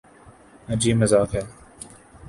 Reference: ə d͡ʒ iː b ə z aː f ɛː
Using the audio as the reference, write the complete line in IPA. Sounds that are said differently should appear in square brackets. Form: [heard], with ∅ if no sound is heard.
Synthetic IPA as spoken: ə d͡ʒ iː [m] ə z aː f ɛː